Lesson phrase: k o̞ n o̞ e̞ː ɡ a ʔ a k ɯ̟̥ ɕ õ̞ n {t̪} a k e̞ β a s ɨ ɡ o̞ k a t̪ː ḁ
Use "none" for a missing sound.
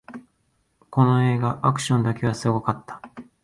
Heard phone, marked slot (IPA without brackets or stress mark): d̪